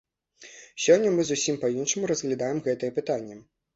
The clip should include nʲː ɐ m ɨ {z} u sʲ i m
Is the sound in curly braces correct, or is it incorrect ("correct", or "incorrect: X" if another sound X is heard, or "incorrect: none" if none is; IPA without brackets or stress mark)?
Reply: correct